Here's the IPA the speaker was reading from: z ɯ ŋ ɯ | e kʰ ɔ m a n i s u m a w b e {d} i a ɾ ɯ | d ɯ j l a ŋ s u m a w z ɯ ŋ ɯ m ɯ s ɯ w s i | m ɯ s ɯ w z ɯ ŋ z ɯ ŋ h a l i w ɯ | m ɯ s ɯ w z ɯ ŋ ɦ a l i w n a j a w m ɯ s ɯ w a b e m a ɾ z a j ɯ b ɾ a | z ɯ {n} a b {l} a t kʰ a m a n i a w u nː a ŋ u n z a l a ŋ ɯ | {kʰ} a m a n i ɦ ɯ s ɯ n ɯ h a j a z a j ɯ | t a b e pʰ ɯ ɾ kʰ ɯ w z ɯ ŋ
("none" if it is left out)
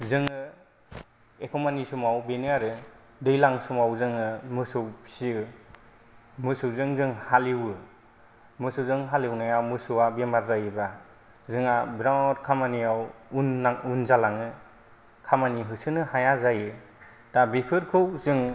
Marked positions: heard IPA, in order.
n, ŋ, ɾ, kʰ

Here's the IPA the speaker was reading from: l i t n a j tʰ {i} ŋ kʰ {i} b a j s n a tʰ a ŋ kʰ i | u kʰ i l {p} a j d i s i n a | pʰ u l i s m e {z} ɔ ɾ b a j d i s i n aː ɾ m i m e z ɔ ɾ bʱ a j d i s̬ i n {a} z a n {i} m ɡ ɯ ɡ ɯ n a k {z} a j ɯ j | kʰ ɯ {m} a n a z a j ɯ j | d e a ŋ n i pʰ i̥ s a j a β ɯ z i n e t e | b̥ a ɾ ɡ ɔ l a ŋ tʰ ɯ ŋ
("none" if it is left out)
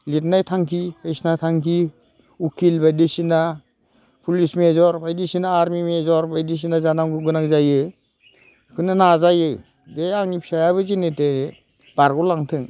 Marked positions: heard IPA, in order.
a, i, b, z, a, a, z, n

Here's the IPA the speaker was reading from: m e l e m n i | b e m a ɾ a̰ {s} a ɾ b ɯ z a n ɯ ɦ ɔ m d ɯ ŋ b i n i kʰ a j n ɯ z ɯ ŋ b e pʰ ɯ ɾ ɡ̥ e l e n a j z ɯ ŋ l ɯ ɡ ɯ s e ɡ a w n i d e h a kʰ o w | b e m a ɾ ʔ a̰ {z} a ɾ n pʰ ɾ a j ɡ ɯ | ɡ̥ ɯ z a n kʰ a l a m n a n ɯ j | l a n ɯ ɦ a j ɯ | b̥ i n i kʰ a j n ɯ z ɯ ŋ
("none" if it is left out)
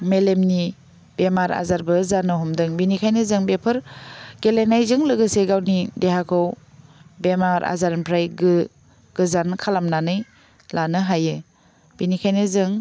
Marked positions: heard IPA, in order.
z, z

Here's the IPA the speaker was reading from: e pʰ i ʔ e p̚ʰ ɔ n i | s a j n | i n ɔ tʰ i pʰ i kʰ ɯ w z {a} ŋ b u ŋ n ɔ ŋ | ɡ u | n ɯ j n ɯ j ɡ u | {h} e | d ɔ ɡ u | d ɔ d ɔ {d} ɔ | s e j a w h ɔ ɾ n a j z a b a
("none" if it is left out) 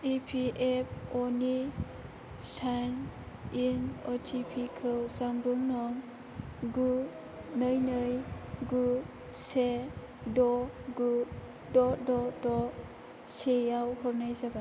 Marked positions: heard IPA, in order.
a, s, d

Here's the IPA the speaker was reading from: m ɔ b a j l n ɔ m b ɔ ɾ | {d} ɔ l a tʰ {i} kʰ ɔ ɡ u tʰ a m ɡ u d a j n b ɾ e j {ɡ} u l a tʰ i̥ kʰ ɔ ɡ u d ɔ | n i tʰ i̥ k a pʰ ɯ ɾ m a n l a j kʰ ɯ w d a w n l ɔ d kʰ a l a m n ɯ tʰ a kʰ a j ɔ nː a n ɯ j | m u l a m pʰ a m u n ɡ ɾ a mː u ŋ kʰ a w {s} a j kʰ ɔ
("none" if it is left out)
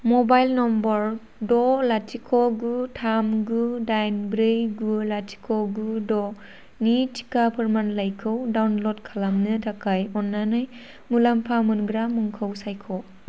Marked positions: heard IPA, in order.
d, i, ɡ, s

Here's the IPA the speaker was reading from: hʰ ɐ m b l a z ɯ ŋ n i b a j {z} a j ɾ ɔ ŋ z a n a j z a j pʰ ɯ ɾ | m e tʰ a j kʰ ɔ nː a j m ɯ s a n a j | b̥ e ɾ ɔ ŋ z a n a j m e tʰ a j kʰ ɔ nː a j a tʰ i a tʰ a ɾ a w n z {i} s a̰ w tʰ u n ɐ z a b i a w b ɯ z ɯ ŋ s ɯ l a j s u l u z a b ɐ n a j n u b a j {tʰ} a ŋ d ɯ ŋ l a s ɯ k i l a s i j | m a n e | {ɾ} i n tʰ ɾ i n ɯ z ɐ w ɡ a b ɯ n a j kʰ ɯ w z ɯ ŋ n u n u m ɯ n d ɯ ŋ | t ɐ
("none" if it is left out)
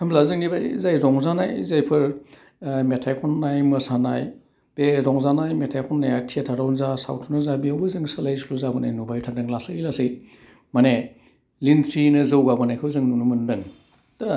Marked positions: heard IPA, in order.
z, a, tʰ, l

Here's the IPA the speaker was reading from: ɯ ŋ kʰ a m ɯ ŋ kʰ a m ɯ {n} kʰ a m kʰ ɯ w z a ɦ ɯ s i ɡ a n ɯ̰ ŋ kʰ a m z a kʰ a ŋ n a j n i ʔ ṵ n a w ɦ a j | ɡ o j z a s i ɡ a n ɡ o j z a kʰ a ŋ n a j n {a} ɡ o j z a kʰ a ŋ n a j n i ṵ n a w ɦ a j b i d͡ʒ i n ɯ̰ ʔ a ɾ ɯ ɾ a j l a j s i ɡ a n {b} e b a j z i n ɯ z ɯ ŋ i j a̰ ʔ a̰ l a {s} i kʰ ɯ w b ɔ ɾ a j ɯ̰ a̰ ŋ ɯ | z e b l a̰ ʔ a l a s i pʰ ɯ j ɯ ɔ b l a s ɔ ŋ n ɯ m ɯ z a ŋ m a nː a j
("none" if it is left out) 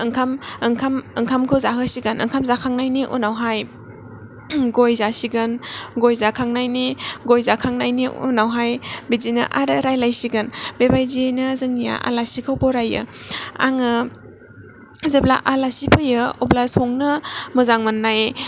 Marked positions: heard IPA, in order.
ŋ, i, b, s

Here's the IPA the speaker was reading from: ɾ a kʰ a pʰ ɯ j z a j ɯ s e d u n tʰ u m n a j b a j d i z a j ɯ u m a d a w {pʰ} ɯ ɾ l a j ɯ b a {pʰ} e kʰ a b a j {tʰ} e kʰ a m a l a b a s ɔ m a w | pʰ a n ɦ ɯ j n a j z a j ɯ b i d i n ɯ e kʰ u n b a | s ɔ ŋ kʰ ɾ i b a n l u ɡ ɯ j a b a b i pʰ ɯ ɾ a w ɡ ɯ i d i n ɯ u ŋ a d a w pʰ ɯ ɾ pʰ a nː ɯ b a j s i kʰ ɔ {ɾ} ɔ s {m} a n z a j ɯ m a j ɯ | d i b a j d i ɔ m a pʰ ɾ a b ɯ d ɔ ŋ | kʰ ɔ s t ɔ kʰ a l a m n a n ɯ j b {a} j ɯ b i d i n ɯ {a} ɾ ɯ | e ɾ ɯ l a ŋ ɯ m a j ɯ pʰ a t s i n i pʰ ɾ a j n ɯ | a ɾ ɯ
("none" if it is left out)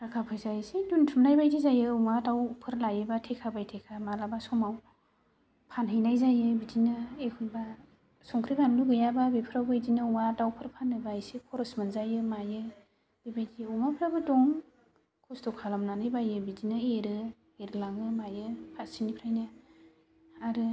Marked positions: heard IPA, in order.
pʰ, tʰ, tʰ, ɾ, m, a, e

